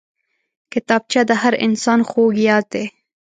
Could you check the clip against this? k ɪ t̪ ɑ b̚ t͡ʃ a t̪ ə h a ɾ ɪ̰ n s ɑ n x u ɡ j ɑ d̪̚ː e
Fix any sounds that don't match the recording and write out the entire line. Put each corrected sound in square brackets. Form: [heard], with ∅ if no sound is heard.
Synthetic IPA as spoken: k ɪ t̪ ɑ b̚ t͡ʃ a [d̪] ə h a ɾ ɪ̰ n s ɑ n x [o] ɡ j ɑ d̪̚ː e